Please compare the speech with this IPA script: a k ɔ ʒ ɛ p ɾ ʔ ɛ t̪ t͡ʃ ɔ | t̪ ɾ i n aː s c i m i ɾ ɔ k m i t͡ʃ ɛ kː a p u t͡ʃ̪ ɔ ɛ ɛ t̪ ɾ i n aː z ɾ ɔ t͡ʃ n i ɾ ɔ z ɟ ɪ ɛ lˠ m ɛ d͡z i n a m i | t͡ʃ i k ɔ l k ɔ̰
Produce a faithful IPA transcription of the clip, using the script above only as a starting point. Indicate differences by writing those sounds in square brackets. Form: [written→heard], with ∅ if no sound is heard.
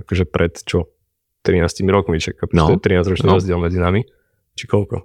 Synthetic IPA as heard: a k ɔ ʒ ɛ p ɾ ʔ ɛ t̪ t͡ʃ ɔ | t̪ ɾ i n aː s c i m i ɾ ɔ k m i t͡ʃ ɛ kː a p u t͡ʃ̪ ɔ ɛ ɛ t̪ ɾ i n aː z ɾ ɔ t͡ʃ n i ɾ ɔ z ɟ ɪ ɛ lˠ m ɛ d͡z i n a m i | t͡ʃ i k ɔ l k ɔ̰